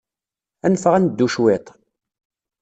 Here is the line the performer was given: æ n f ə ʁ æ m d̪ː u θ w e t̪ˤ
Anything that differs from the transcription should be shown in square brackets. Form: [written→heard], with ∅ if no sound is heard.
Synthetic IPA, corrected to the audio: æ n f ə ʁ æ [m→n] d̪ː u [θ→ʃ] w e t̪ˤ